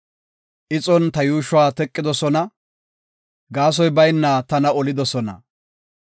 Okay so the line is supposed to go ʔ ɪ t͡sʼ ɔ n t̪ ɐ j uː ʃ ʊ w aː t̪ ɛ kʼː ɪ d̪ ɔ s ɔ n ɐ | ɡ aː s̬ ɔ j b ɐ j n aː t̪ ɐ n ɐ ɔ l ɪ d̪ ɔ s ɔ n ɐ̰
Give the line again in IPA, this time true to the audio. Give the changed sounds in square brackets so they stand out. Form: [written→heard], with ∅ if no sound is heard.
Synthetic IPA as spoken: ʔ ɪ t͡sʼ ɔ n t̪ ɐ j uː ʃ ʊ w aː t̪ ɛ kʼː ɪ d̪ ɔ s ɔ n ɐ | ɡ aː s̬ ɔ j b ɐ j [n→nː] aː t̪ ɐ n ɐ ɔ l ɪ d̪ ɔ s ɔ n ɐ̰